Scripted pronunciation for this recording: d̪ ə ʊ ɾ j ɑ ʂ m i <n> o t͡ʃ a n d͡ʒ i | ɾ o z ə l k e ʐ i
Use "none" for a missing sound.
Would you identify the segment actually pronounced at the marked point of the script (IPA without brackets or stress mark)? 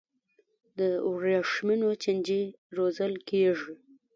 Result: n